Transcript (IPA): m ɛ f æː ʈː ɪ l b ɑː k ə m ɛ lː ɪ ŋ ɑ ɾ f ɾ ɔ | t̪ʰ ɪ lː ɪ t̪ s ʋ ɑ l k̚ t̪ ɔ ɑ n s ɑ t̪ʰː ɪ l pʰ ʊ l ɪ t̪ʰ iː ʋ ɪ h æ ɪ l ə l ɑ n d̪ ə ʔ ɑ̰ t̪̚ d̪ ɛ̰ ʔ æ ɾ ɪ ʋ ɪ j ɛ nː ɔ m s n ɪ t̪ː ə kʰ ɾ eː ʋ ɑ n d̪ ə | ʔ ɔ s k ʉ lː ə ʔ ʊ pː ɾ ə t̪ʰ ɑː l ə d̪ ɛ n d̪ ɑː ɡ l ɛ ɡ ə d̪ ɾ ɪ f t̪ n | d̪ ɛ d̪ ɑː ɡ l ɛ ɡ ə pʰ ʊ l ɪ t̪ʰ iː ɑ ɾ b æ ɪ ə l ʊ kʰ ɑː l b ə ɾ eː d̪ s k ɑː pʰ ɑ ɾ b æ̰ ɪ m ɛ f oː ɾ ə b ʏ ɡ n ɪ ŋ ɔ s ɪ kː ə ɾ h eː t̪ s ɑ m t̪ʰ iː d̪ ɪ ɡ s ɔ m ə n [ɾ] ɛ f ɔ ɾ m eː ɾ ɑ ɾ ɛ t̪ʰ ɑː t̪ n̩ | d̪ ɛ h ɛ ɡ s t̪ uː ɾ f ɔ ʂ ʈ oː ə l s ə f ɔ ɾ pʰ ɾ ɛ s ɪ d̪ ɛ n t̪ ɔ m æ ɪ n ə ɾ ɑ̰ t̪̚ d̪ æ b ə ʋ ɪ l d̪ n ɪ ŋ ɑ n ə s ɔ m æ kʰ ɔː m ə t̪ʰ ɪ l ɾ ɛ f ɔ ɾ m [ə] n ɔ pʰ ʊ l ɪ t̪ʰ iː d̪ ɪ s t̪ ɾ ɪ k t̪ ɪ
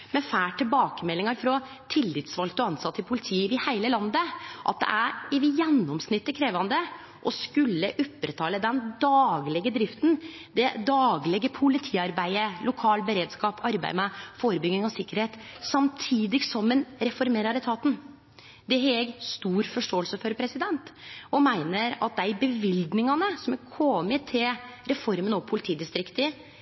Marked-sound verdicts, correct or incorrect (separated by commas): correct, correct